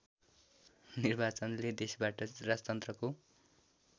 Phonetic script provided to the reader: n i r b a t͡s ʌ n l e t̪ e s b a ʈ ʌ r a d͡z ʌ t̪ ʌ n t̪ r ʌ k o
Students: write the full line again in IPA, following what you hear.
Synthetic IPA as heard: n i r b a t͡s ʌ n l e d̪ e s b a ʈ ʌ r a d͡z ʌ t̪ ʌ n t̪ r ʌ k o